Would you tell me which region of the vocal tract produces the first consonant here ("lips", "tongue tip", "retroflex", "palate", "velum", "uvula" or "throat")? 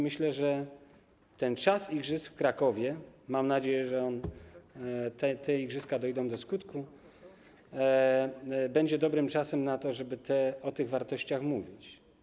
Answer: lips